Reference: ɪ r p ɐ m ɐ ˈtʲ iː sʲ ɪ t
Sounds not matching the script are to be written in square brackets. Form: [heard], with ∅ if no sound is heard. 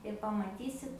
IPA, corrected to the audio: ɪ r p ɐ m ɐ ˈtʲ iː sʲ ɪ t